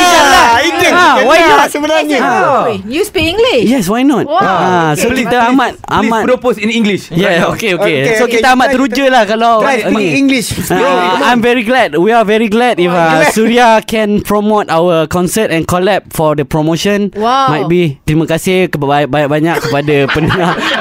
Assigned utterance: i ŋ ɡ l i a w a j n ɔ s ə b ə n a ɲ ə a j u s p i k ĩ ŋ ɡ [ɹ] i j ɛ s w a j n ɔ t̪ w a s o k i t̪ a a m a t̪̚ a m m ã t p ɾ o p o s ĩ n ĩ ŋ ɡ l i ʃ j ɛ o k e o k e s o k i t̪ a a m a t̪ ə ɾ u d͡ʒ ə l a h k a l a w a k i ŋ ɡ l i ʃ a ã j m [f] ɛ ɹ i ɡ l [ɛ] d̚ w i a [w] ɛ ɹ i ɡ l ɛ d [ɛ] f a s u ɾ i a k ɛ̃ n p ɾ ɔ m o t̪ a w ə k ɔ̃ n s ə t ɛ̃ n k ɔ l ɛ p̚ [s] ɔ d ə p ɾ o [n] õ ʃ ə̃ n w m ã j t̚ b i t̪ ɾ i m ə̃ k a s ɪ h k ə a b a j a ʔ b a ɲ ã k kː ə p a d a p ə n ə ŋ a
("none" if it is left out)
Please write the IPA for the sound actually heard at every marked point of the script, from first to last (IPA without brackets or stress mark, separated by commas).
l, v, ɛ, v, i, f, m